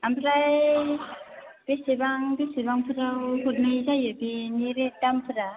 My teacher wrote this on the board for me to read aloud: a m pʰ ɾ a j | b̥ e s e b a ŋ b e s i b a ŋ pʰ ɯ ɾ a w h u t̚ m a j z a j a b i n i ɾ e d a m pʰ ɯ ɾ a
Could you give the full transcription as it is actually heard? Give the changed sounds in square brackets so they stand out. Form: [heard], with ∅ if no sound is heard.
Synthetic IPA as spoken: a m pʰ ɾ a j | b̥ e s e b a ŋ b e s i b a ŋ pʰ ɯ ɾ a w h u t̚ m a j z a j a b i n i ɾ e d a m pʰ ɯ ɾ a